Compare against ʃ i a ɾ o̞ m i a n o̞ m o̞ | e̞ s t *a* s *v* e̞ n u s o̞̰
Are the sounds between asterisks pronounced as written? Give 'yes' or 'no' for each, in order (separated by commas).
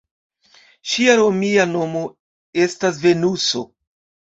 yes, yes